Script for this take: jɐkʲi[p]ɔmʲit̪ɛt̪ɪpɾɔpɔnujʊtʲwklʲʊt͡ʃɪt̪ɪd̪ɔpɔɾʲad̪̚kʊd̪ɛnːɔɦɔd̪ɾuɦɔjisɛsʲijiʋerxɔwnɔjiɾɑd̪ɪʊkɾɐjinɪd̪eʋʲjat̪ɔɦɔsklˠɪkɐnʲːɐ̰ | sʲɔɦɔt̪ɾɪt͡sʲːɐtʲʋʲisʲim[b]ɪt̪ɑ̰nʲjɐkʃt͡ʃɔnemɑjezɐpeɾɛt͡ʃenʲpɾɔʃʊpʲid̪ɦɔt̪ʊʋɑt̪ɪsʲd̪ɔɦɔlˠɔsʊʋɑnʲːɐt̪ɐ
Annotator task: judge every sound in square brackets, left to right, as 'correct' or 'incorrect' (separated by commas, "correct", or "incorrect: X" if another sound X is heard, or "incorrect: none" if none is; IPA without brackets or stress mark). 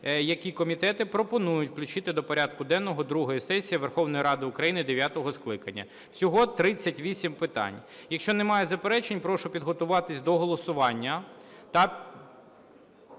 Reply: incorrect: k, incorrect: p